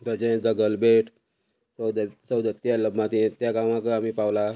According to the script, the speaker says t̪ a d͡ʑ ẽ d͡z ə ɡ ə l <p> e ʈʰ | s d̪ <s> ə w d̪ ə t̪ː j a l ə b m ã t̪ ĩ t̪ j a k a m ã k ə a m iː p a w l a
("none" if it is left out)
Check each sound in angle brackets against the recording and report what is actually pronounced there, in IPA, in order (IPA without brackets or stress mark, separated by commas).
b, s